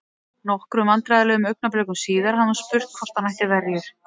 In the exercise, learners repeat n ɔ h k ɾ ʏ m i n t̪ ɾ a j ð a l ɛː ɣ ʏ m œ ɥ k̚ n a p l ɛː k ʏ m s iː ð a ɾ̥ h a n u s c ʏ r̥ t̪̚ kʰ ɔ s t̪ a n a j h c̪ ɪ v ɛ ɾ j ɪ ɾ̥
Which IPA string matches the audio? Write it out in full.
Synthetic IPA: n ɔ h k ɾ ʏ m a n t̪ ɾ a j ð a l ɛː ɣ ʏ m œ ɥ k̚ n a p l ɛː k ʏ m s iː ð a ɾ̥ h a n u s p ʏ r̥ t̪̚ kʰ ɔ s t̪ a n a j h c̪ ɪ v ɛ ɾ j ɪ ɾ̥